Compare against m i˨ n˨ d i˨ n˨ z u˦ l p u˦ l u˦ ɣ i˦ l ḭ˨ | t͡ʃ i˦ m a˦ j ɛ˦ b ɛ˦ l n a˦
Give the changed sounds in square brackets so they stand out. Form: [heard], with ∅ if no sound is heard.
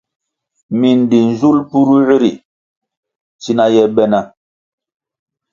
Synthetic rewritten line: m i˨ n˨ d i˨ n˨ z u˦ l p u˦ [ɾ] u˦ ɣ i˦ [ɾ] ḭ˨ | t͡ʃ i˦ [n] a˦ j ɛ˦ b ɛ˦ [∅] n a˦